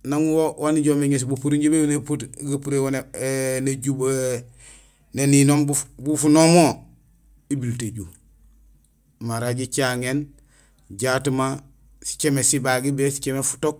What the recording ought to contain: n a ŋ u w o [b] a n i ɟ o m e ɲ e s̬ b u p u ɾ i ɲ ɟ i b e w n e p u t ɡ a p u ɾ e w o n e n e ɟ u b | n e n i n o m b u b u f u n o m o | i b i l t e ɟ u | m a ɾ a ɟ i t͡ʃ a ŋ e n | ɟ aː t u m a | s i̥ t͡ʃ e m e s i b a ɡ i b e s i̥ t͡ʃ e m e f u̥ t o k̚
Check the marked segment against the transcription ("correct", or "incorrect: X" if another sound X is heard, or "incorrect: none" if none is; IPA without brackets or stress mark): incorrect: w